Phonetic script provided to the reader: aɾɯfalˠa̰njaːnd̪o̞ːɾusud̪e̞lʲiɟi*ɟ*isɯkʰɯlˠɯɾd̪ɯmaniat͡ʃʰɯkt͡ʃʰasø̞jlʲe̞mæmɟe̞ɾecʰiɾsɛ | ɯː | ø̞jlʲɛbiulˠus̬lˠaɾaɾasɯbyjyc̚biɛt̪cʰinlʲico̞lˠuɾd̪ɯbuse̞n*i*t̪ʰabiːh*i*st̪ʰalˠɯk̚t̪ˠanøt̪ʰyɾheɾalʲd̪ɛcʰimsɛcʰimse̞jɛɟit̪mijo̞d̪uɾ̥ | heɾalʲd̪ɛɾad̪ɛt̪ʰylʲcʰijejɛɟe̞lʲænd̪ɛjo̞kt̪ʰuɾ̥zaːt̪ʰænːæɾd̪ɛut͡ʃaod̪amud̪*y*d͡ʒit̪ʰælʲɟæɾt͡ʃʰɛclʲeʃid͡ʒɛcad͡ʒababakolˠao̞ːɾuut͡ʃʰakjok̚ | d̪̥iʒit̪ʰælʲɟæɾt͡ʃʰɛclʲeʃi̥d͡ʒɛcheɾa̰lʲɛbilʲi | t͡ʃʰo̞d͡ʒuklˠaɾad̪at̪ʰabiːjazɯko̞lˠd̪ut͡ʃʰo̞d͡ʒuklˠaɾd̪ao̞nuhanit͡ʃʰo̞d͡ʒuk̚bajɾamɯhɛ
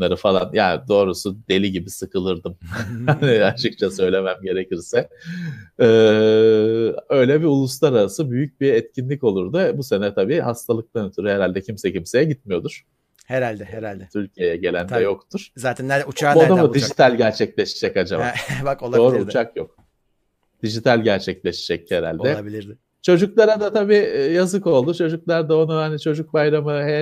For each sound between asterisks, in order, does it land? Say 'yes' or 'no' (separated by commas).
no, no, no, no